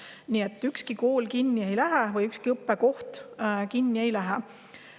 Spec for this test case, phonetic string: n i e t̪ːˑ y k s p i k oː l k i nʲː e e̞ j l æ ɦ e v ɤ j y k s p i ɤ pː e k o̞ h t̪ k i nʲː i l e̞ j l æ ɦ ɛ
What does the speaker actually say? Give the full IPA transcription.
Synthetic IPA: n i e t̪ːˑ y k s k i k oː l k i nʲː i e̞ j l æ ɦ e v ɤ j y k s k i ɤ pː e k o̞ h t̪ k i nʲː i e̞ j l æ ɦ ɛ